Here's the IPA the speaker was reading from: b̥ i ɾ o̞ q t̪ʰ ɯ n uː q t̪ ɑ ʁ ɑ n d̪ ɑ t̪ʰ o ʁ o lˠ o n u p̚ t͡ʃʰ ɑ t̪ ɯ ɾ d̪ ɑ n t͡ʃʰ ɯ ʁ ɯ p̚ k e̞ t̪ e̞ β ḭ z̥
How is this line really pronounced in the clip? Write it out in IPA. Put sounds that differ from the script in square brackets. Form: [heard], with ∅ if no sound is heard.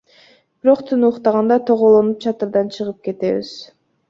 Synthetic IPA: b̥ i ɾ o̞ q t̪ʰ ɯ n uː q t̪ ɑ ʁ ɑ n d̪ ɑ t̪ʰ o ʁ o lˠ o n u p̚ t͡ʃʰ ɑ t̪ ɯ ɾ d̪ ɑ n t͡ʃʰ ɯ ʁ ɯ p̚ k e̞ t̪ e̞ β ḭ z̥